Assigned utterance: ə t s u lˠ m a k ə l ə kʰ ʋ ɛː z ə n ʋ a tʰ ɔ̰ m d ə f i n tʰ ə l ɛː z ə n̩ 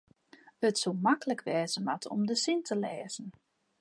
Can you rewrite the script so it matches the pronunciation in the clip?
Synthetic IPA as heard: ə t s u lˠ m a k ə l ə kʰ ʋ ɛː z ə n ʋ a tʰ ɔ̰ m d ə s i n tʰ ə l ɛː z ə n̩